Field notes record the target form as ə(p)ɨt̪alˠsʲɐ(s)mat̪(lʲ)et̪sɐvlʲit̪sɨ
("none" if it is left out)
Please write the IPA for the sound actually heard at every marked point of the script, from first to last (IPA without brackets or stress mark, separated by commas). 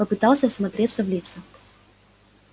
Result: p, s, ɾʲ